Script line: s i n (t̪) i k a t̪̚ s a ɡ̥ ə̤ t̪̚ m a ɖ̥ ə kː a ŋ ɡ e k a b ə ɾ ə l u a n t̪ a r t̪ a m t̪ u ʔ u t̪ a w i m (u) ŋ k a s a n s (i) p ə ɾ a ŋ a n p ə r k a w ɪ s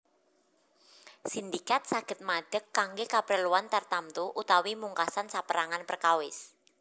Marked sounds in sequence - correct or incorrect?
incorrect: d̪, correct, incorrect: a

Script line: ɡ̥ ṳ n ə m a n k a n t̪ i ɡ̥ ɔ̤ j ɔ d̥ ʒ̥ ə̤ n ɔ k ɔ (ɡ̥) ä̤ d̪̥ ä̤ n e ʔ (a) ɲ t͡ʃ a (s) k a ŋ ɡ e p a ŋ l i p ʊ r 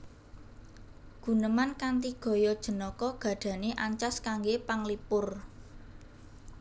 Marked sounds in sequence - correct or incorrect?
correct, correct, correct

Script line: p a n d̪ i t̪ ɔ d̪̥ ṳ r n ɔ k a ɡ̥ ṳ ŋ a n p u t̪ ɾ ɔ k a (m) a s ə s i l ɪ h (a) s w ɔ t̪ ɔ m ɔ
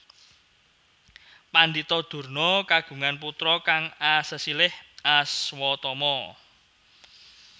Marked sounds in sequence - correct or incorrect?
incorrect: ŋ, correct

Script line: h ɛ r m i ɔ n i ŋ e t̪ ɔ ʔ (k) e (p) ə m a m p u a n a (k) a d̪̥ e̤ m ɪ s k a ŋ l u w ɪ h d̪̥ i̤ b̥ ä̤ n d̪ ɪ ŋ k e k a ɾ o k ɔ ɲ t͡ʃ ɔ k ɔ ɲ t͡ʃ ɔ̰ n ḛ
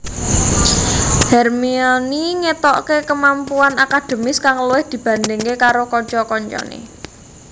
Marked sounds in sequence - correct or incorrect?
correct, incorrect: k, correct

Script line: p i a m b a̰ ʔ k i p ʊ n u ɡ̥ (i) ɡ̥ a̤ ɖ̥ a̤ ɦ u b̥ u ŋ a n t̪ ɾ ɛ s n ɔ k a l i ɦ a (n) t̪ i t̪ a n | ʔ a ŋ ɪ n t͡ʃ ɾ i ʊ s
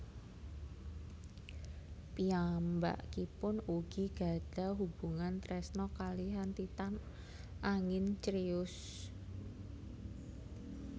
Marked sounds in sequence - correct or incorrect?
correct, correct

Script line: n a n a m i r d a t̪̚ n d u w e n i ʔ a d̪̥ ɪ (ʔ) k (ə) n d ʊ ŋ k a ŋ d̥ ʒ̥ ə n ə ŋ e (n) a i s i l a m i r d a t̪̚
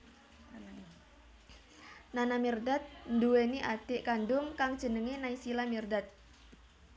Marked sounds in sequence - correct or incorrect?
correct, incorrect: a, correct

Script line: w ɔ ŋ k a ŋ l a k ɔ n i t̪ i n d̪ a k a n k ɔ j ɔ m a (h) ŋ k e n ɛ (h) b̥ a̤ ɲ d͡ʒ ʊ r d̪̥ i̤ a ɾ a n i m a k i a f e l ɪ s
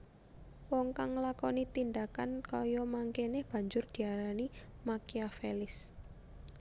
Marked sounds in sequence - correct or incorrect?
incorrect: none, correct

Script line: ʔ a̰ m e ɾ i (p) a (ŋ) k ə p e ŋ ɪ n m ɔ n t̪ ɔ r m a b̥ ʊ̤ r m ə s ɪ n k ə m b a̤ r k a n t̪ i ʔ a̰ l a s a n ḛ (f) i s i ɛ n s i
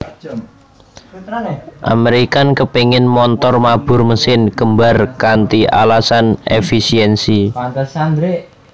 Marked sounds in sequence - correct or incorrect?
incorrect: k, incorrect: n, correct

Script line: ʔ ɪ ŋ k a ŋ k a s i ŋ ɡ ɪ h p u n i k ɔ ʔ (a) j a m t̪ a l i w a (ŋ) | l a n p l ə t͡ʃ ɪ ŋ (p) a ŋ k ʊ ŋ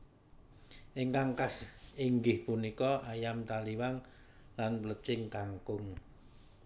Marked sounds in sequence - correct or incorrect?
correct, correct, incorrect: k

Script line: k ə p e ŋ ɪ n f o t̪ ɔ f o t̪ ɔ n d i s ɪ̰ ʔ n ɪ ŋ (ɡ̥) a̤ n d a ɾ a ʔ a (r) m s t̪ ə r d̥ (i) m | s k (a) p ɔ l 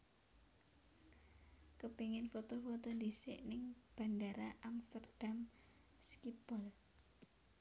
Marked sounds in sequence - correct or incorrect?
incorrect: b̥, incorrect: none, incorrect: a, incorrect: i

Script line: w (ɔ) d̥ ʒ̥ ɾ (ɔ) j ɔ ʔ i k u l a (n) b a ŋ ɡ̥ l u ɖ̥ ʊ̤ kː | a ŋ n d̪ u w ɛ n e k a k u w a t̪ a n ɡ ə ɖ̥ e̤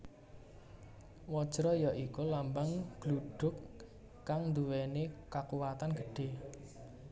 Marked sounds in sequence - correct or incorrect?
correct, correct, incorrect: m

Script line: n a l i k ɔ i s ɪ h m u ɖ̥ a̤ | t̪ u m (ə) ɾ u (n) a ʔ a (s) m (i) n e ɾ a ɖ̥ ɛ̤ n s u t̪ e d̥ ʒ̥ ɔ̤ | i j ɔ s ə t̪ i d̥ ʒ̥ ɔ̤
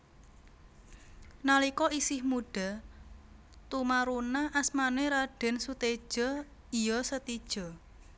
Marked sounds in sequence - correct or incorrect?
incorrect: a, correct, correct, incorrect: a

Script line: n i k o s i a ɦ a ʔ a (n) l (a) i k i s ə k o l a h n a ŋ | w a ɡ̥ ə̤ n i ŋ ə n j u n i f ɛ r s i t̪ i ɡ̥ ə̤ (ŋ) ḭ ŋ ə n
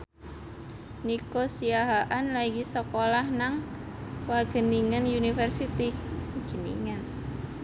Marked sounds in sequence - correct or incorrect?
correct, correct, incorrect: n

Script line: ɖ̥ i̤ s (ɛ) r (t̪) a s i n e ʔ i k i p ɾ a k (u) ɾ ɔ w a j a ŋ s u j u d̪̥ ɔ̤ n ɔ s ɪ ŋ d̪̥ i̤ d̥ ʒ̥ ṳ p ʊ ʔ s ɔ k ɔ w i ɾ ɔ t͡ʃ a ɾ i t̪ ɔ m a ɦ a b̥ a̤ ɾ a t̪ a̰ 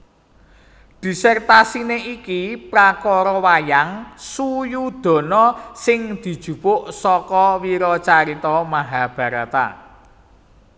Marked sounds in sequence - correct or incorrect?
correct, correct, incorrect: ɔ

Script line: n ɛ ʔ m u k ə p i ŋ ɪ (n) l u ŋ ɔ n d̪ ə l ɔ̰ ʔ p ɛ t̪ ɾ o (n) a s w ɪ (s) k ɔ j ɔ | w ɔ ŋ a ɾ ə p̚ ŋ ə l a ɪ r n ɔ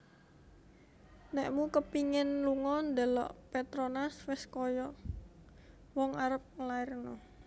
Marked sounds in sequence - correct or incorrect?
correct, correct, correct

